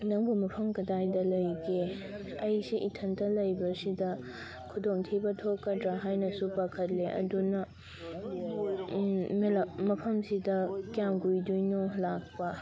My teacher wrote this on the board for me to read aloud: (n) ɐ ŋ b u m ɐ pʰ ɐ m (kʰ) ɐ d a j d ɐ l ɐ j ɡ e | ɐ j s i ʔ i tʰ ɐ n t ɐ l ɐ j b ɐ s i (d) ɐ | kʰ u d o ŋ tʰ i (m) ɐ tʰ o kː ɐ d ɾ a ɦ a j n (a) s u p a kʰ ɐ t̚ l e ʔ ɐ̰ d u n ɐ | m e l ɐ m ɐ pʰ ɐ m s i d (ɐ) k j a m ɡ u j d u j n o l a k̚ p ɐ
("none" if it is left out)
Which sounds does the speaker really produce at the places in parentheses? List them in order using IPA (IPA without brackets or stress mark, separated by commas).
n, k, d, b, ɐ, ɐ